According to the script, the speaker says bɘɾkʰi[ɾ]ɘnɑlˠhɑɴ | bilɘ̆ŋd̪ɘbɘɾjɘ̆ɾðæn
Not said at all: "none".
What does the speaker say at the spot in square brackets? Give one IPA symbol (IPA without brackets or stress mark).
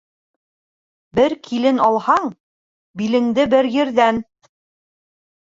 l